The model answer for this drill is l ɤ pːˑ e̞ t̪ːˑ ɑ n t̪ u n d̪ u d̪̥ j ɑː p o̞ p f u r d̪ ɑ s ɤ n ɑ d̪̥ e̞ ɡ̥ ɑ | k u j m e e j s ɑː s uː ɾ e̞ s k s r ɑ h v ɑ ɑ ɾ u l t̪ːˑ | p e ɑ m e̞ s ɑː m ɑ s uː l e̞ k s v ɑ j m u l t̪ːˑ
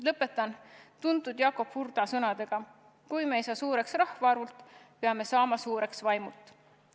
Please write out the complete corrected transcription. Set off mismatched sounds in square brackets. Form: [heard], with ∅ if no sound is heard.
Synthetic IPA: l ɤ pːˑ e̞ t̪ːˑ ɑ n t̪ u n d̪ u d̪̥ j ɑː [k] o̞ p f u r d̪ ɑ s ɤ n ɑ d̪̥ e̞ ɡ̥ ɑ | k u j m e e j s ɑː s uː ɾ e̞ [∅] k s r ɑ h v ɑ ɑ ɾ u l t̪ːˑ | p e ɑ m e̞ s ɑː m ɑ s uː [ɾ] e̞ k s v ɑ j m u l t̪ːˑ

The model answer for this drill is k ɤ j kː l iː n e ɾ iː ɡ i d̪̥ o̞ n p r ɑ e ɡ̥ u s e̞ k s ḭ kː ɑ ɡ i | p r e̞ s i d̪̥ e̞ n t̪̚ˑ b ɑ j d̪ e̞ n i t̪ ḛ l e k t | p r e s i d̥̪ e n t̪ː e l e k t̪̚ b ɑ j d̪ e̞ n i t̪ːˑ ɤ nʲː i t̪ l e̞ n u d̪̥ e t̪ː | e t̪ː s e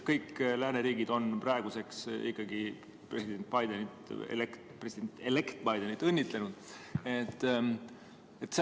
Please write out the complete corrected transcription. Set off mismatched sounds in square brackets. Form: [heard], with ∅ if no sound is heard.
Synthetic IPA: k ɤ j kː l [æː] n e ɾ iː ɡ i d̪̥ o̞ n p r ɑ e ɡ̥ u s e̞ k s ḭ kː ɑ ɡ i | p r e̞ s i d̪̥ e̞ n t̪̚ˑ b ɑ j d̪ e̞ n i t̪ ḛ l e k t | p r e s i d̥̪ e n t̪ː e l e k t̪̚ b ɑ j d̪ e̞ n i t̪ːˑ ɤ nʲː i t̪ l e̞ n u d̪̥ e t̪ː | e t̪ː s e

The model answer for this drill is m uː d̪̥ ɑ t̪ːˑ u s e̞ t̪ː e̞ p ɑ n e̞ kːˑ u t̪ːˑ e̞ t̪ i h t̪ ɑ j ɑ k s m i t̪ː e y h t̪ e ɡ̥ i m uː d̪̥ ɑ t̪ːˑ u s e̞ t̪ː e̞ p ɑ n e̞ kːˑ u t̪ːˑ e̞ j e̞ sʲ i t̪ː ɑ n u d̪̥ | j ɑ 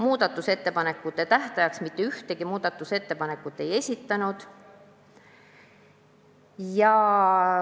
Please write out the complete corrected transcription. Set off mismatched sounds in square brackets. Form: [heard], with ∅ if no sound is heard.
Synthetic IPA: m uː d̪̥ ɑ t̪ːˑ u s e̞ t̪ː e̞ p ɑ n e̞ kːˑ u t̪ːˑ e̞ t̪ [æ] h t̪ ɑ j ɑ k s m i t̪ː e y h t̪ e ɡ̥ i m uː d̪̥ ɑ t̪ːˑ u s e̞ t̪ː e̞ p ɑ n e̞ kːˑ u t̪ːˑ e̞ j e̞ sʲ i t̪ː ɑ n u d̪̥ | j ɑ

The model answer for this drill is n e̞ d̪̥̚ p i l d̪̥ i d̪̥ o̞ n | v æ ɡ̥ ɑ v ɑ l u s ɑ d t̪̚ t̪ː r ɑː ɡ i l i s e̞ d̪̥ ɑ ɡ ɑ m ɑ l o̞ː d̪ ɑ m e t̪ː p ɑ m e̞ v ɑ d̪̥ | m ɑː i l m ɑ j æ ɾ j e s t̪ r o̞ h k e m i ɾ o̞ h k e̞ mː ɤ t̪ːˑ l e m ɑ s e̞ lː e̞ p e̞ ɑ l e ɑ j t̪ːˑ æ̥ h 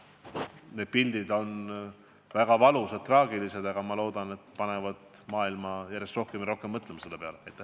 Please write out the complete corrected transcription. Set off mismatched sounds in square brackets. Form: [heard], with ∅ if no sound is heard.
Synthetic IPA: n e̞ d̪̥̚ p i l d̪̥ i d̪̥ o̞ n | v æ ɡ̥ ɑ v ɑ l u s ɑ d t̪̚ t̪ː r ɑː ɡ i l i s e̞ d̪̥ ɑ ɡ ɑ m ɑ l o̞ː d̪ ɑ [n] e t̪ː p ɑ [n] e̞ v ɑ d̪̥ | m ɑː i l m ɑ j æ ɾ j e s t̪ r o̞ h k e m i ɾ o̞ h k e̞ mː ɤ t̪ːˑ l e m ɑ s e̞ lː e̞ p e̞ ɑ l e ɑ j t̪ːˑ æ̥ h

